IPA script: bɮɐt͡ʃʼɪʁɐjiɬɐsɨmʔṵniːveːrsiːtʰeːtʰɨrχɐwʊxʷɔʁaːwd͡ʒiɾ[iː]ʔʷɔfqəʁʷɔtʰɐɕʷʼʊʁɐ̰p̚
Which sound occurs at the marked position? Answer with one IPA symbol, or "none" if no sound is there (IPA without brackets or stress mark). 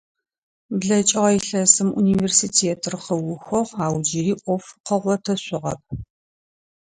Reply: iː